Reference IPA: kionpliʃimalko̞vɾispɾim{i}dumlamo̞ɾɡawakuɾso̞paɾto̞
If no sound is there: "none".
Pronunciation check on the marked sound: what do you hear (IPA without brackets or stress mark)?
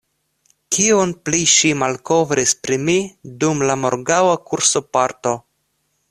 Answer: i